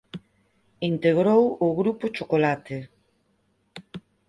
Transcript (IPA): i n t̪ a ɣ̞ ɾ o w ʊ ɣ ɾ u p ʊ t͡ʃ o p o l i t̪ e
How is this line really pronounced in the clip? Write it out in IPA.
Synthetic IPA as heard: i n t̪ e ɣ̞ ɾ o w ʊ ɣ ɾ u p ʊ t͡ʃ o k o l a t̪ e

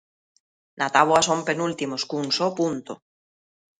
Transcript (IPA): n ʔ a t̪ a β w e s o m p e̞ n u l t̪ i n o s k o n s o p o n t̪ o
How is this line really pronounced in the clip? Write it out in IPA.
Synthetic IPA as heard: n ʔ a t̪ a β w a s o m p e̞ n u l t̪ i m o s k u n s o p u n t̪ o

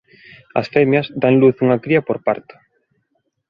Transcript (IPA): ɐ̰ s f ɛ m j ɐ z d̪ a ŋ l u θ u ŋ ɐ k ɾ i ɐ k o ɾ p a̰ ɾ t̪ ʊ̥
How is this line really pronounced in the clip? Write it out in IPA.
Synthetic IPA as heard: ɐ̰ s f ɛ m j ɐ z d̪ a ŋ l u θ u ŋ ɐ k ɾ i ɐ p o ɾ p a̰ ɾ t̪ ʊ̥

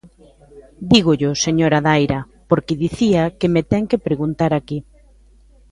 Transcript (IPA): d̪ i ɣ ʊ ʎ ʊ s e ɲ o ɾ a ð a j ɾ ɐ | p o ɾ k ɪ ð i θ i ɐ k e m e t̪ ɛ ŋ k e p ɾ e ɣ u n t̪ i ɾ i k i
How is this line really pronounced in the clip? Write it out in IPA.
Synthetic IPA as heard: d̪ i ɣ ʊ ʎ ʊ s e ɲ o ɾ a ð a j ɾ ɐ | p o ɾ k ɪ ð i θ i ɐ k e m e t̪ ɛ ŋ k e p ɾ e ɣ u n t̪ a ɾ a k i

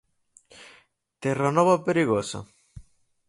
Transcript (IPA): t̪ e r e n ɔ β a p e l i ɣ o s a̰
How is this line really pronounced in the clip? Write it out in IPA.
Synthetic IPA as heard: t̪ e r a n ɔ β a p e ɾ i ɣ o s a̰

